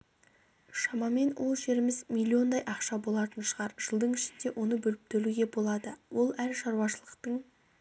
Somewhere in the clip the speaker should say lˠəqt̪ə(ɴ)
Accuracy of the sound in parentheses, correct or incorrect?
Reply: correct